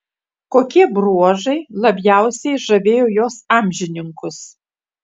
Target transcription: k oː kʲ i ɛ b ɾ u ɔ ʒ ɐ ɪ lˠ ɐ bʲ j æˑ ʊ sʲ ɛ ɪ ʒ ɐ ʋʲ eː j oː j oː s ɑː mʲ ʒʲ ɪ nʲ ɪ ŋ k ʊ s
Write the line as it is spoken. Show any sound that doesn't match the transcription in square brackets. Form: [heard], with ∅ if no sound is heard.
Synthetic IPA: k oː kʲ i ɛ b ɾ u ɔ ʒ ɐ ɪ lˠ ɐ bʲ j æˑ ʊ sʲ ɛ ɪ ʒ ɐ ʋʲ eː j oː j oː s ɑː mʲ ʒʲ ɪ nʲ ɪ ŋ k ʊ s